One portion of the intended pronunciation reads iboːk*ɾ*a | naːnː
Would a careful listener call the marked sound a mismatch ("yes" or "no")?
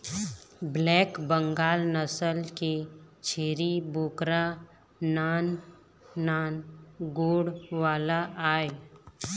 no